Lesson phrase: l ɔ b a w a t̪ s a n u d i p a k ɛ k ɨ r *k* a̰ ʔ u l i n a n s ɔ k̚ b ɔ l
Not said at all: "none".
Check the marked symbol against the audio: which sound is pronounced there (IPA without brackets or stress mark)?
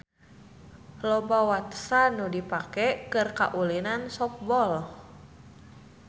k